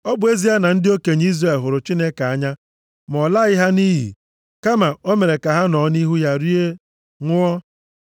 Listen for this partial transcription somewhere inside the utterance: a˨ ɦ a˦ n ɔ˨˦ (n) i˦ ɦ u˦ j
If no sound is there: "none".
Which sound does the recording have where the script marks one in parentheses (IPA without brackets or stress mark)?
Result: n